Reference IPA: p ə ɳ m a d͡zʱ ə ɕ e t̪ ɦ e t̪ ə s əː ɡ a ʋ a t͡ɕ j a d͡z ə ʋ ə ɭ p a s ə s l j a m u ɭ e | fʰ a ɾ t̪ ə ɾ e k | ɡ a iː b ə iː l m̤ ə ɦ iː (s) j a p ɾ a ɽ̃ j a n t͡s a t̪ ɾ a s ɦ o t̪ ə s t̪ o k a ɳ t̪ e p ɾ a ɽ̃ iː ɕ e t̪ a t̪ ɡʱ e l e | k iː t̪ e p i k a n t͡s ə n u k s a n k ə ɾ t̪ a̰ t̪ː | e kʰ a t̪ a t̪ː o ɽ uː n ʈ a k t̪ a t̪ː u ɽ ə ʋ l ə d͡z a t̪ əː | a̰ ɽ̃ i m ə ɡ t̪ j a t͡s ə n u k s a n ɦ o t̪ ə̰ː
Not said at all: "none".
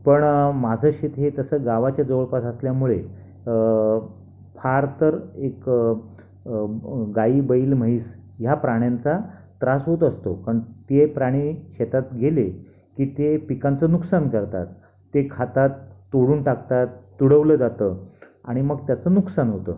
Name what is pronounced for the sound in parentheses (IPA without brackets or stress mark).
s